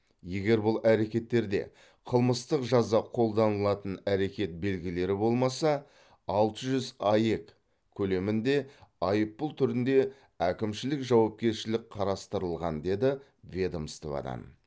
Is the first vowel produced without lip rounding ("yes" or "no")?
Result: yes